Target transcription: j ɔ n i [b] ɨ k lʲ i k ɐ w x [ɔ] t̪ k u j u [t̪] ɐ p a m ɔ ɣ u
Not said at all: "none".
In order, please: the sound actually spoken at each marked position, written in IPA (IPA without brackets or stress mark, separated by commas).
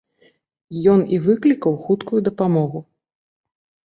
v, u, d̪